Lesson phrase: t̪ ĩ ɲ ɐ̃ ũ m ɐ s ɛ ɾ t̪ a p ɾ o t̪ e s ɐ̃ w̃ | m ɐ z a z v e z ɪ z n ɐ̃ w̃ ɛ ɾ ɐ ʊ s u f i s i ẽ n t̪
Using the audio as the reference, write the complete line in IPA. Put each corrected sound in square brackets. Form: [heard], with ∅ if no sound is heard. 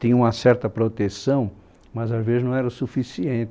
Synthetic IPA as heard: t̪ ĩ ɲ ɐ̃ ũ m ɐ s ɛ ɾ t̪ [ɐ] p ɾ o t̪ e s ɐ̃ w̃ | m ɐ z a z v e z ɪ z n ɐ̃ w̃ ɛ ɾ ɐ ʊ s u f i s i ẽ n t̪